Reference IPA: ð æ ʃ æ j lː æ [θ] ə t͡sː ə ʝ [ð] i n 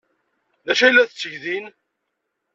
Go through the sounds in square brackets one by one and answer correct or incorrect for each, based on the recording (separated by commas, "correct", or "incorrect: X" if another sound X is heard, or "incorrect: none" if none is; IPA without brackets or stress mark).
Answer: correct, correct